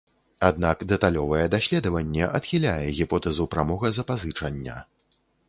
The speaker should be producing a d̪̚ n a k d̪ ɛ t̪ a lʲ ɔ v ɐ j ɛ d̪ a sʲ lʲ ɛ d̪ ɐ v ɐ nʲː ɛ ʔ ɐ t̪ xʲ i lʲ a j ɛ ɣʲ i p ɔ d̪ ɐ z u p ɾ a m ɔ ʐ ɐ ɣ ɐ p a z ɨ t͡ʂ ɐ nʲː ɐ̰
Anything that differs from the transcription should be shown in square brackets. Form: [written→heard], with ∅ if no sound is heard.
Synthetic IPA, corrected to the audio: a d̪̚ n a k d̪ ɛ t̪ a lʲ ɔ v ɐ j ɛ d̪ a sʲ lʲ ɛ d̪ ɐ v ɐ nʲː ɛ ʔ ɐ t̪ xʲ i lʲ a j ɛ ɣʲ i p ɔ [d̪→t̪] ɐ z u p ɾ a m ɔ [ʐ→ɣ] ɐ [ɣ→z] ɐ p a z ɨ t͡ʂ ɐ nʲː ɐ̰